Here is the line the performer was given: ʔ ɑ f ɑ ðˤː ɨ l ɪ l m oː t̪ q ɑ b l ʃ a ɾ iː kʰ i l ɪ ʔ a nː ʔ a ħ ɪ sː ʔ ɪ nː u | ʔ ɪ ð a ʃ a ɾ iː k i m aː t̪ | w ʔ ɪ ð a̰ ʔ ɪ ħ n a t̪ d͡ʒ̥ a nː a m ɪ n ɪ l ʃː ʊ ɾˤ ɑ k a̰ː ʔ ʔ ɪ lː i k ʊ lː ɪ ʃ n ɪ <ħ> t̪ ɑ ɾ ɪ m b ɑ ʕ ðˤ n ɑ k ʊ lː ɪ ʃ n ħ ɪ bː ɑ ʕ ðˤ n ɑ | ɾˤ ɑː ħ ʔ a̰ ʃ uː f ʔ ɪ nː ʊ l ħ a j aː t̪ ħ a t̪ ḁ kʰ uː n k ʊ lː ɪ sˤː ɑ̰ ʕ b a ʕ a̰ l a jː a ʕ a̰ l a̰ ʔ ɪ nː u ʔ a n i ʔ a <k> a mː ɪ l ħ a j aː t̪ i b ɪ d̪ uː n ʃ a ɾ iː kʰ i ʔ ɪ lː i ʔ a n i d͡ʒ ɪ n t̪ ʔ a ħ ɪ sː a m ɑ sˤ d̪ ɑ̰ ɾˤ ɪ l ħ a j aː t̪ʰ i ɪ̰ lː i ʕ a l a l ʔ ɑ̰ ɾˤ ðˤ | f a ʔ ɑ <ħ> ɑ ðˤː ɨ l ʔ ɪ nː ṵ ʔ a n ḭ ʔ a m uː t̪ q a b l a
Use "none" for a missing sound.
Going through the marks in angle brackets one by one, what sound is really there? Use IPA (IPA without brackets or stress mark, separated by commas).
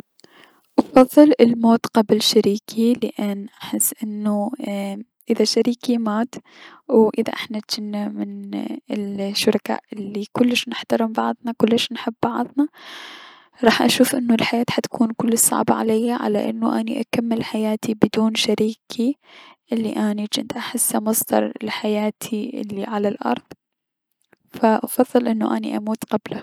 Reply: ħ, k, f